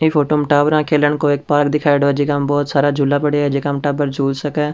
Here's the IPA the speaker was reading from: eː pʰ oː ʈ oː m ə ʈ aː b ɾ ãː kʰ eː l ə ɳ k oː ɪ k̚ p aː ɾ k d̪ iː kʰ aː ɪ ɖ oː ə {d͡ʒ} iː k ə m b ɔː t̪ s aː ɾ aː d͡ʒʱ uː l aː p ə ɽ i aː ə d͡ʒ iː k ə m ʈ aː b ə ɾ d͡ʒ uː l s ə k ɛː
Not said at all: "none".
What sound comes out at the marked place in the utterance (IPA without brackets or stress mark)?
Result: d͡ʒ